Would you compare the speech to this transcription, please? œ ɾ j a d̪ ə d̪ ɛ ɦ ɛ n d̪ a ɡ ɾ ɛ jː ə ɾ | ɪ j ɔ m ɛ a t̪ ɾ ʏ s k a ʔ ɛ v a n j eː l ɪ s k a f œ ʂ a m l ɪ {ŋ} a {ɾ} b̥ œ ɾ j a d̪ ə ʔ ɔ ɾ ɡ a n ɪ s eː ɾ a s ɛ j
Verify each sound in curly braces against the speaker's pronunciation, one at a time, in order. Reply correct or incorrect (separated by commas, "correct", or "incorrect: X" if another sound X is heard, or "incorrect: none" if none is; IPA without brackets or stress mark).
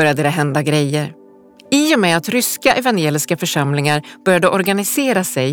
correct, correct